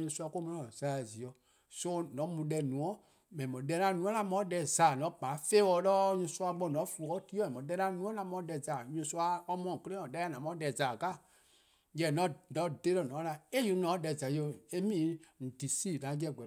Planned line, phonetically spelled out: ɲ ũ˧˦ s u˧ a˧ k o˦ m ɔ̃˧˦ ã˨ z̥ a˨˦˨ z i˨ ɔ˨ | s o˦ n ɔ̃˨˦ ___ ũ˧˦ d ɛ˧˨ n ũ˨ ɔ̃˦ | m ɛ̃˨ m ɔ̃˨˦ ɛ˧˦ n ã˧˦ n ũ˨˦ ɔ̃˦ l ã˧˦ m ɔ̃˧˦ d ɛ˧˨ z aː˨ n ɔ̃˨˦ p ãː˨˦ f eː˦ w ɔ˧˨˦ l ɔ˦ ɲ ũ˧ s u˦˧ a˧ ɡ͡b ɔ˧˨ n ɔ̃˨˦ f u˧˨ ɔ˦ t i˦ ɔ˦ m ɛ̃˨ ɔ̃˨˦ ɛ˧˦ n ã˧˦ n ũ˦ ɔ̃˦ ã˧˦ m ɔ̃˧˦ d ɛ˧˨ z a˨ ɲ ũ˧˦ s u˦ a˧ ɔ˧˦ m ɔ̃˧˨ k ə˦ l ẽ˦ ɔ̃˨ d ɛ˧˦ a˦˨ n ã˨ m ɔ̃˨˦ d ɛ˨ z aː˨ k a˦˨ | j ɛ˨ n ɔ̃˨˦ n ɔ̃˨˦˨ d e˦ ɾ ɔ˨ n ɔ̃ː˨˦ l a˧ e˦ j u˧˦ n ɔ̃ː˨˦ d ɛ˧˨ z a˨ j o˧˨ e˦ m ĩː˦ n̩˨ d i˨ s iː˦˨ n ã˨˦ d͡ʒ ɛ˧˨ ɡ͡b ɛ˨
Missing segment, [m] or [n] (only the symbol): m